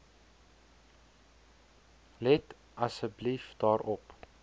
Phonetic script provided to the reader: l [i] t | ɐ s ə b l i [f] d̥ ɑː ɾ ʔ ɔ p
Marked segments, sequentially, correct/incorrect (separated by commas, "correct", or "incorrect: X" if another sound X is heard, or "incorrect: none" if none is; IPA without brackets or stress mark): incorrect: ɛ, correct